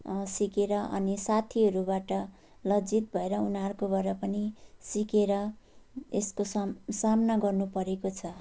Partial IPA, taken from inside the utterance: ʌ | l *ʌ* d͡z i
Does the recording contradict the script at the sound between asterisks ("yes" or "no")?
no